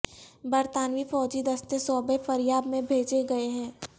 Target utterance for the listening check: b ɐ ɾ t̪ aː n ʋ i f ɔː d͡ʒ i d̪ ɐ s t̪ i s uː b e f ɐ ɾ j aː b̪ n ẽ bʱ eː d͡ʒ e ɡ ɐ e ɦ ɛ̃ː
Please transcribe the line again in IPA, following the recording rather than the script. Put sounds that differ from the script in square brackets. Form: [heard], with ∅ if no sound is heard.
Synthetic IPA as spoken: b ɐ ɾ t̪ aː n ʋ i f ɔː d͡ʒ i d̪ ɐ s t̪ [e] s [ɔː] b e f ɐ ɾ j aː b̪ [m] ẽ bʱ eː d͡ʒ e ɡ ɐ e ɦ ɛ̃ː